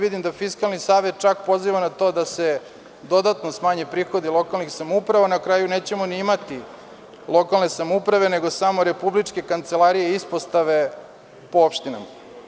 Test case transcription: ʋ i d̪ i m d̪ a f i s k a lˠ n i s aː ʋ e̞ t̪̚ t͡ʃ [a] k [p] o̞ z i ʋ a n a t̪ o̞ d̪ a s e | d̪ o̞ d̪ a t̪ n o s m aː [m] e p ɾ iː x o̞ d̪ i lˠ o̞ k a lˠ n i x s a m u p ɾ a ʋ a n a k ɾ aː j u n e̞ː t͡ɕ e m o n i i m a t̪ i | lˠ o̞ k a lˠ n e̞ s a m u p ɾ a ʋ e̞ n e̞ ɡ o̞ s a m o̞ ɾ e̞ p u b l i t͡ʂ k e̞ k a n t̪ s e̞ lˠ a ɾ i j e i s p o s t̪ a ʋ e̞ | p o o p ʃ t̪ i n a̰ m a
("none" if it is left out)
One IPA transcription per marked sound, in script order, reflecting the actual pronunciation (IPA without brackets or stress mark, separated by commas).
a, p, ɲ